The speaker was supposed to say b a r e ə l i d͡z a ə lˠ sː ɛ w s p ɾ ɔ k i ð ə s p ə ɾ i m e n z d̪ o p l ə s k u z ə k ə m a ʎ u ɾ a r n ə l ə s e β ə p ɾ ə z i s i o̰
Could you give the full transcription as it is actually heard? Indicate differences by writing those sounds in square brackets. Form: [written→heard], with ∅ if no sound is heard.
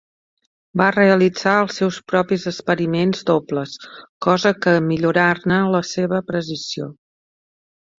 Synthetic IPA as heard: b a r e ə l i d͡z a ə lˠ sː ɛ w s p ɾ ɔ [k→p] i [ð→z] ə s p ə ɾ i m e n z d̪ o p l ə s k [u→ɔ] z ə k ə m [a→i] ʎ u ɾ a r n ə l ə s e β ə p ɾ ə z i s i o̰